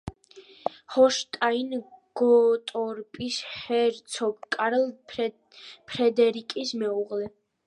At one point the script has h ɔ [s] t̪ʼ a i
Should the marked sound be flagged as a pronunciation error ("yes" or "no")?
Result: yes